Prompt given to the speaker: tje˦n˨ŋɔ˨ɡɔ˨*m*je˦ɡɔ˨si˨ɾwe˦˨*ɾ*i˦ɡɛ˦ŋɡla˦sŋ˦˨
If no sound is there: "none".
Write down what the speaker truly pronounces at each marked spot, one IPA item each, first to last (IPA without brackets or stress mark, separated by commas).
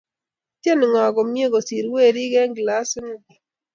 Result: m, ɾ